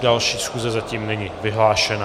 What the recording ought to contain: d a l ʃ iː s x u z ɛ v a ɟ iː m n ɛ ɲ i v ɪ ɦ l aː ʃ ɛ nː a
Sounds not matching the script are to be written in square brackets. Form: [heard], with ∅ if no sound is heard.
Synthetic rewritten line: d a l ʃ iː s x u z ɛ [z] a [c] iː m n ɛ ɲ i v ɪ ɦ l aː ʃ ɛ [n] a